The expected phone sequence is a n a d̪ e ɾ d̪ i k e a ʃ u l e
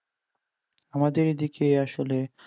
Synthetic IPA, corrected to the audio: a m a d̪ e ɾ d̪ i k e a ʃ o l e